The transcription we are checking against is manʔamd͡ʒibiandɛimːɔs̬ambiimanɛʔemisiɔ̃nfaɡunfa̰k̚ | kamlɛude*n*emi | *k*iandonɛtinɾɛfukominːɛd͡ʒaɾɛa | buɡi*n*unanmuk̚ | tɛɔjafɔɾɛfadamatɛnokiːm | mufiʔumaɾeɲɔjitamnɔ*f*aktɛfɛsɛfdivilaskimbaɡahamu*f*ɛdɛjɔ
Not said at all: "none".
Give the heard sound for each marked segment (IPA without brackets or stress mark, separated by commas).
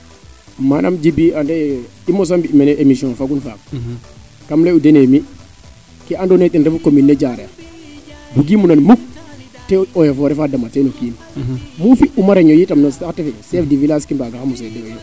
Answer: n, k, m, s, s